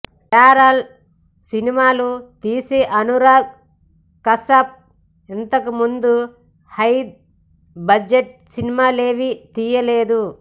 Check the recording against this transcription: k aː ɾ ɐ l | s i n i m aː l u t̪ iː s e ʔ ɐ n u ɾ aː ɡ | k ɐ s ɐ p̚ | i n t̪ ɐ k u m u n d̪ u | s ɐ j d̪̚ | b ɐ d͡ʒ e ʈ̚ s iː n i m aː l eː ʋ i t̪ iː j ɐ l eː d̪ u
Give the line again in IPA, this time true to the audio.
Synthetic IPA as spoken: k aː ɾ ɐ l | s i n i m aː l u t̪ iː s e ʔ ɐ n u ɾ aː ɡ | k ɐ s ɐ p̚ | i n t̪ ɐ k u m u n d̪ u | h ɐ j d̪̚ | b ɐ d͡ʒ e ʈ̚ s i n i m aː l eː ʋ i t̪ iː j ɐ l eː d̪ u